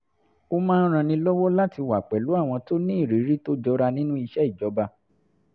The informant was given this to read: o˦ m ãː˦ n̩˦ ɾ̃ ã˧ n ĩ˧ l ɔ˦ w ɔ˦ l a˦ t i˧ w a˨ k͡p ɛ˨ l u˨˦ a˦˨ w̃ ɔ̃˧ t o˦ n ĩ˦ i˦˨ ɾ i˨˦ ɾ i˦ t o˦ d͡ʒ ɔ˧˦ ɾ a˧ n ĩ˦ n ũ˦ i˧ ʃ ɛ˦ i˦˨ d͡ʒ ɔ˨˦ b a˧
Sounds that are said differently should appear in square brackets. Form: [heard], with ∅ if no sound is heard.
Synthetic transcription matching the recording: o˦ m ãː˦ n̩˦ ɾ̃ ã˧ n ĩ˧ l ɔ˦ w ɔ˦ l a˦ t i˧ w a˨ k͡p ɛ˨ l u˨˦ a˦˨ w̃ ɔ̃˧ t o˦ n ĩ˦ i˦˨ ɾ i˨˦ ɾ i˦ t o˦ d͡ʒ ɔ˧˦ ɾ a˧ n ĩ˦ n ũ˦ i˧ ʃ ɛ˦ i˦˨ d͡ʒ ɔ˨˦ b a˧